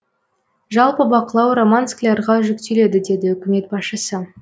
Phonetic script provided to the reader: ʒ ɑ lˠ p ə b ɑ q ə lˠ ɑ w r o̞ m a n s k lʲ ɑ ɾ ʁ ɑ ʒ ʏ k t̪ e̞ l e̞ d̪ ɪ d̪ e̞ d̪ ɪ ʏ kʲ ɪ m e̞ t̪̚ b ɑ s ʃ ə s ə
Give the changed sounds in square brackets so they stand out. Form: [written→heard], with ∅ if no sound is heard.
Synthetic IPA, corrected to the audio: ʒ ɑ lˠ p ə b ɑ q ə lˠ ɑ w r o̞ m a n s k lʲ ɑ ɾ ʁ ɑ ʒ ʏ k t̪ e̞ l e̞ d̪ ɪ d̪ e̞ d̪ ɪ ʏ kʲ ɪ m e̞ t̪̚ b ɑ s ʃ ə s ə